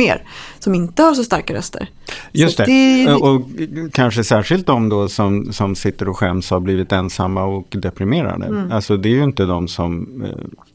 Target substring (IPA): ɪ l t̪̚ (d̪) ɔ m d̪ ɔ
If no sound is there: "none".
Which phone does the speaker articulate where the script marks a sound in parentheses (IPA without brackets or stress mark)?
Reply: d̪